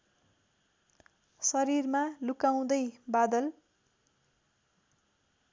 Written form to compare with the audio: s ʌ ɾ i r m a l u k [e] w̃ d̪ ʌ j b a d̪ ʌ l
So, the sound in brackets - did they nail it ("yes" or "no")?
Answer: no